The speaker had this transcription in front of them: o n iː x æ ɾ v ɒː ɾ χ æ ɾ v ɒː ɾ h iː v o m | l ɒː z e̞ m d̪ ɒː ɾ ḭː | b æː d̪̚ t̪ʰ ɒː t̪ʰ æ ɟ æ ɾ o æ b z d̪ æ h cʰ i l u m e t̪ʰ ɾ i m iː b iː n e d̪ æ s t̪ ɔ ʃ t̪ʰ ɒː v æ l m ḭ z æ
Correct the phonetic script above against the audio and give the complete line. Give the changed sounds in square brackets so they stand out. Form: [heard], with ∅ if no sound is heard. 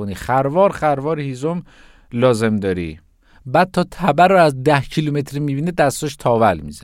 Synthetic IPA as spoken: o n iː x æ ɾ v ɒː ɾ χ æ ɾ v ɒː ɾ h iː [z] o m | l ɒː z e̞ m d̪ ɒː ɾ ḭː | b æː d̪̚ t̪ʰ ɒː t̪ʰ æ [b] æ ɾ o æ [∅] z d̪ æ h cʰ i l u m e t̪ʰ ɾ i m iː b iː n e d̪ æ s t̪ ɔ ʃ t̪ʰ ɒː v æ l m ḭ z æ